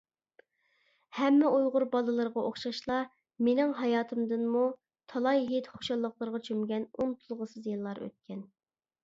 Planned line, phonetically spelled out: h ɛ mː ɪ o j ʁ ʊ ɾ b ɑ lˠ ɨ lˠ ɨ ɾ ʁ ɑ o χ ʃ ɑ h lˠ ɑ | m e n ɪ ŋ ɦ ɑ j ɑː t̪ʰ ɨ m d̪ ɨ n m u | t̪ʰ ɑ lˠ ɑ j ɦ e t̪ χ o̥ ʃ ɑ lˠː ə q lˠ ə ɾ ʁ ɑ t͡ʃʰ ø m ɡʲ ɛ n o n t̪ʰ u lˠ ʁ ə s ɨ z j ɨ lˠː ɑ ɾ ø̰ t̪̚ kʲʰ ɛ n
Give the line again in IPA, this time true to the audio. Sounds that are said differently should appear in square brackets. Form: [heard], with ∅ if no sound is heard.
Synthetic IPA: h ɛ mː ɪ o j ʁ ʊ ɾ b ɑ lˠ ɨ lˠ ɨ ɾ ʁ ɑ o χ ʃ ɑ [ʃ] lˠ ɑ | m e n ɪ ŋ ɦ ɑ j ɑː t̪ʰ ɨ m d̪ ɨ n m u | t̪ʰ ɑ lˠ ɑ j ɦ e t̪ χ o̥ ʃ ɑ lˠː ə q lˠ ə ɾ ʁ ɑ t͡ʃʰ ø m ɡʲ ɛ n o n t̪ʰ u lˠ ʁ ə s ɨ z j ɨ lˠː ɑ ɾ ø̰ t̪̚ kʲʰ ɛ n